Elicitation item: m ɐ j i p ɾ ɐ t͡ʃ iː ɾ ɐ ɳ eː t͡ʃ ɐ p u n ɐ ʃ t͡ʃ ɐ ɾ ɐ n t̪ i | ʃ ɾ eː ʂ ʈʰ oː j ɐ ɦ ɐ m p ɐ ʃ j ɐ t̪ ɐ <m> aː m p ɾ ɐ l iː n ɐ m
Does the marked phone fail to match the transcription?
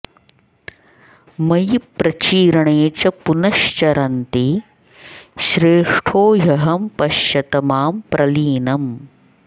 no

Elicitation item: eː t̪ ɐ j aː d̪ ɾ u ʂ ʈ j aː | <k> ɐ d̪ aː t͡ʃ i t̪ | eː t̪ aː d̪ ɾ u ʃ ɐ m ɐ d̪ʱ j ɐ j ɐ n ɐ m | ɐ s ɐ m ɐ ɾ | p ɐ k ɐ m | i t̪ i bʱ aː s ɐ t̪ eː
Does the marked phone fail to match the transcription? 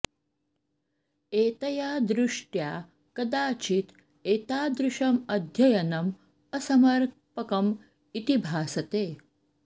no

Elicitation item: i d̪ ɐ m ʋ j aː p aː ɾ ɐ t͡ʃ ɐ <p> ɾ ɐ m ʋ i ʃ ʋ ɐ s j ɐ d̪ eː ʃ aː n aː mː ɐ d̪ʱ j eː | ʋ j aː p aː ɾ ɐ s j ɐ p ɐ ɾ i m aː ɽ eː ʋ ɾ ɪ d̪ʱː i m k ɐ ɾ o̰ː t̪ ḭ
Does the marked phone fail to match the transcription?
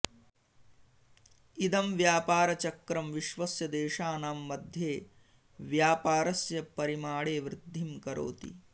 yes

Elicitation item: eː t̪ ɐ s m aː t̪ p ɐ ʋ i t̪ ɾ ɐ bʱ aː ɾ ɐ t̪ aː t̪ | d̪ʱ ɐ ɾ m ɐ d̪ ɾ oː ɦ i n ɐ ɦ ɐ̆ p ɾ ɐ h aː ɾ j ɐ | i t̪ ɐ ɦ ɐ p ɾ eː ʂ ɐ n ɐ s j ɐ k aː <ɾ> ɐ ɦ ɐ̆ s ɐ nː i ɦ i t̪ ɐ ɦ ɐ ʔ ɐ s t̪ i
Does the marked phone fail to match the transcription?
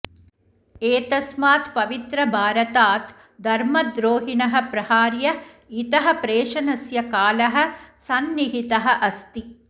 yes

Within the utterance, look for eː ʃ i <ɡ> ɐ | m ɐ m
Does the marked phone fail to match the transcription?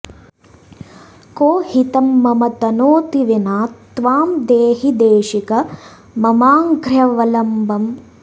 yes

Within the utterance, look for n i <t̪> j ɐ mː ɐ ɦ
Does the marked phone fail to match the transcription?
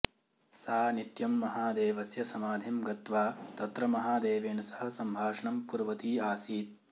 no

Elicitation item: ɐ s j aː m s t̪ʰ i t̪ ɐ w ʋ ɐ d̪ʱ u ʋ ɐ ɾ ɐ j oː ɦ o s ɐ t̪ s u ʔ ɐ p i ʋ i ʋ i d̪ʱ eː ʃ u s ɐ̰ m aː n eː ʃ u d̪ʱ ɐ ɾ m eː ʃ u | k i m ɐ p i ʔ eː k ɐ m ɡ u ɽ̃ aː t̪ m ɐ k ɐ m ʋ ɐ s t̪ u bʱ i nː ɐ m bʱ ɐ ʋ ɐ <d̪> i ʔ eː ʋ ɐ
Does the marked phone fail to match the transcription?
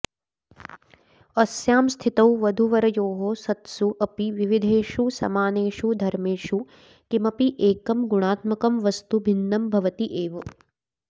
yes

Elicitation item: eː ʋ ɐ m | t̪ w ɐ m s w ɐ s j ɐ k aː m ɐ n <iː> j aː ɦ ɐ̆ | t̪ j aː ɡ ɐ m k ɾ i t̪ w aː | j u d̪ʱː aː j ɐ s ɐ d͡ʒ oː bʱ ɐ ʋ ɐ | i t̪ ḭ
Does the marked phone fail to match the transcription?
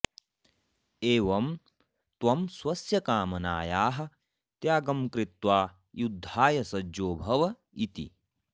yes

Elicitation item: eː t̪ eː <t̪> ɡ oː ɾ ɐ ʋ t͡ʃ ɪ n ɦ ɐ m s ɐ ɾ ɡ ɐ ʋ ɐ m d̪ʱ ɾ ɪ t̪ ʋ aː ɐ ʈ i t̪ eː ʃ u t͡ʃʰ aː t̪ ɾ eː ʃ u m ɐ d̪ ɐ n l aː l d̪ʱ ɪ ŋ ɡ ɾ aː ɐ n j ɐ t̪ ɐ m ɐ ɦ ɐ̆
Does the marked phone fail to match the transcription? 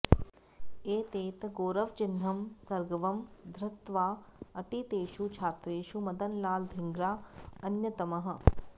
no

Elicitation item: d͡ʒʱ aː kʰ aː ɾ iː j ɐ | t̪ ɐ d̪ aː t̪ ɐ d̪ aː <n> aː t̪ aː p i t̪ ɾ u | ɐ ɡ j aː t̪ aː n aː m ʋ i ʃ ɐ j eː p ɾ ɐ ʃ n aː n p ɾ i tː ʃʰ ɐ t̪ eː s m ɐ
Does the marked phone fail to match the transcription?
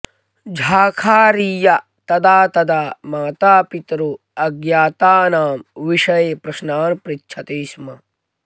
yes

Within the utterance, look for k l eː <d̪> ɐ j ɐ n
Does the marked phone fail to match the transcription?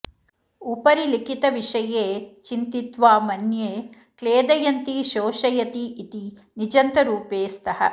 no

